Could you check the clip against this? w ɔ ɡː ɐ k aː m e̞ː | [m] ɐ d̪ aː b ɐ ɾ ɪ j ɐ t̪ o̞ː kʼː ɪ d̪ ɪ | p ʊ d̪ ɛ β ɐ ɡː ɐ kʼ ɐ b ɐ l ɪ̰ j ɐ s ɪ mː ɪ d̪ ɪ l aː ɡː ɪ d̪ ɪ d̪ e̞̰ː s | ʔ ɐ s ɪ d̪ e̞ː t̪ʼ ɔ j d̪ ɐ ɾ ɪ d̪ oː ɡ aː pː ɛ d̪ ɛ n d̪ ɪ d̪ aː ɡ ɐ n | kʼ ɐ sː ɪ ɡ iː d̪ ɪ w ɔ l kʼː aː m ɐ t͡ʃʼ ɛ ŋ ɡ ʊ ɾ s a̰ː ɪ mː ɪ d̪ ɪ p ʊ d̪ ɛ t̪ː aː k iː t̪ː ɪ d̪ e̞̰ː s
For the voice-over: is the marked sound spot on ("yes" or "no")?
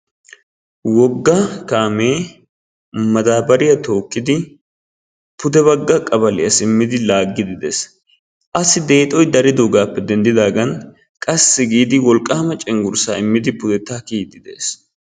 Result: yes